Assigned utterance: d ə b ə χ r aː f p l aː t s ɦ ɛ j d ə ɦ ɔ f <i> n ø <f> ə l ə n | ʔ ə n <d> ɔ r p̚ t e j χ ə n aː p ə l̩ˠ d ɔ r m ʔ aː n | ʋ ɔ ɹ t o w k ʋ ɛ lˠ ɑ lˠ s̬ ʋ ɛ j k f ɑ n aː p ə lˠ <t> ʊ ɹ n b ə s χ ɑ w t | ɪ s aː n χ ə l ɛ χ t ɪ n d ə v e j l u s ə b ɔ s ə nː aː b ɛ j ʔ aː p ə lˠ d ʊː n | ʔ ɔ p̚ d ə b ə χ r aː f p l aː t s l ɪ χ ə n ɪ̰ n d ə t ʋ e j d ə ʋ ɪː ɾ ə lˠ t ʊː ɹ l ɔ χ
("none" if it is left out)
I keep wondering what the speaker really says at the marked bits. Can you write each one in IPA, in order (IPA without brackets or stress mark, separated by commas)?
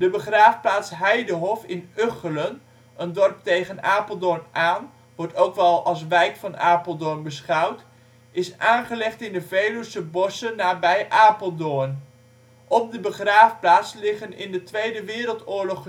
ɪ, χ, d, d